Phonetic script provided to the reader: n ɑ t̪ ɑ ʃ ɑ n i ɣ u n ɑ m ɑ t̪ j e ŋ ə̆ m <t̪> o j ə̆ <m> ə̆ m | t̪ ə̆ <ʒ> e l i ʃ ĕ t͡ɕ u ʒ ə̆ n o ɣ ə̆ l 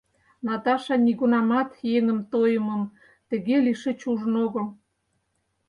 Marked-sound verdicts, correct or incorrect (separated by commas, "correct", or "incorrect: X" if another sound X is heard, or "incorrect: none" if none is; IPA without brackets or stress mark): correct, correct, incorrect: ɣ